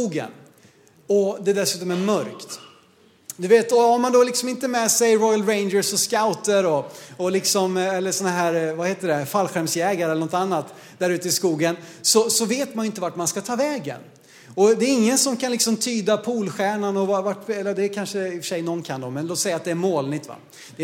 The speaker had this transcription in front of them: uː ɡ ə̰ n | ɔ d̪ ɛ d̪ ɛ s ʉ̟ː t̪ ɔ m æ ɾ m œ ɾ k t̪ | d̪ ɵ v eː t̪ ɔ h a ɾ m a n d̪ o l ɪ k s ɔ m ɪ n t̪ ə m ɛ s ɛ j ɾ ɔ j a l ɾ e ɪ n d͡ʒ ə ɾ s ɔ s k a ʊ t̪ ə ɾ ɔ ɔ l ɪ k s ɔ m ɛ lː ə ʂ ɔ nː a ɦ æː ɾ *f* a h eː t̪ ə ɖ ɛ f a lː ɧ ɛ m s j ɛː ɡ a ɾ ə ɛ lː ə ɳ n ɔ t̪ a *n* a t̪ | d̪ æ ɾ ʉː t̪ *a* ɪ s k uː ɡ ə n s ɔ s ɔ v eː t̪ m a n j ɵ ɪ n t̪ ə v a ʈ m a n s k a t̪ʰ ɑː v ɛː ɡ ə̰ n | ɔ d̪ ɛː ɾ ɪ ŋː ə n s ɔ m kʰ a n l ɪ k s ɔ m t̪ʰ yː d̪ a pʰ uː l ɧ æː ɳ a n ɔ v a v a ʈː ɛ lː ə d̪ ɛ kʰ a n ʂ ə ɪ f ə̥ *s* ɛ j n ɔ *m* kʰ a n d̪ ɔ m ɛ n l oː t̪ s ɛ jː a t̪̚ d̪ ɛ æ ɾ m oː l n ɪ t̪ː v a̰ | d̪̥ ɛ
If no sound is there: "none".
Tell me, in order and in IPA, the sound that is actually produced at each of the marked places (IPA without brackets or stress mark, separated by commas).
v, nː, ə, ʂ, n